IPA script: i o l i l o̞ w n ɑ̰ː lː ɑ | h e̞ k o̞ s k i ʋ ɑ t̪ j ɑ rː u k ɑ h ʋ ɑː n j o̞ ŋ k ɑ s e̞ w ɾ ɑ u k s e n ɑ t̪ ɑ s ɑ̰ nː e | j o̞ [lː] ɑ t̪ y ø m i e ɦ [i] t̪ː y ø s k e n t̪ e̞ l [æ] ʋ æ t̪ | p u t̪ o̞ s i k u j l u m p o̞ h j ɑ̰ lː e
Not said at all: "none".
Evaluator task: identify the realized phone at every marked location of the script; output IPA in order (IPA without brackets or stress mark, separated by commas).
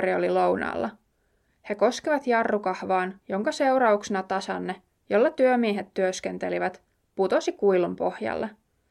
lː, e, i